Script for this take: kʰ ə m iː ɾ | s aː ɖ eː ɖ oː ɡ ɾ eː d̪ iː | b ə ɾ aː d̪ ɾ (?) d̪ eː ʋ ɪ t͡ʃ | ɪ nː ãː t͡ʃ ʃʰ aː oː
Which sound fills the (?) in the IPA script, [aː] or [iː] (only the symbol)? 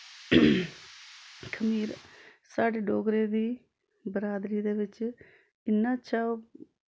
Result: iː